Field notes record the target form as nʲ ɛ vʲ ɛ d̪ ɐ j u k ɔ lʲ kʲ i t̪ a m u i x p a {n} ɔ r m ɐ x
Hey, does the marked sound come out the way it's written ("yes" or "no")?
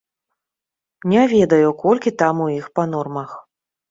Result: yes